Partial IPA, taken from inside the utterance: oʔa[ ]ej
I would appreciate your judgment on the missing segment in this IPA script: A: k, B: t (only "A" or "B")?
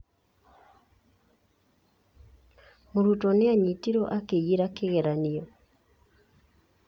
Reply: A